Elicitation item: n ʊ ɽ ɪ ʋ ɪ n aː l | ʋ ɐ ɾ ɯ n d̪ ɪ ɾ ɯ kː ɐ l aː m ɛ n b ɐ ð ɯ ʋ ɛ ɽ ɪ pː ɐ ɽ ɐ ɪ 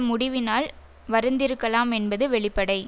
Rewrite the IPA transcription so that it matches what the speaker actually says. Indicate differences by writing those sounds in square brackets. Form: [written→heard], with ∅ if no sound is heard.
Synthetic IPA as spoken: [n→m] ʊ ɽ ɪ ʋ ɪ n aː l | ʋ ɐ ɾ ɯ n d̪ ɪ ɾ ɯ kː ɐ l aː m ɛ n b ɐ ð ɯ ʋ ɛ [ɽ→ɭ] ɪ pː ɐ ɽ ɐ ɪ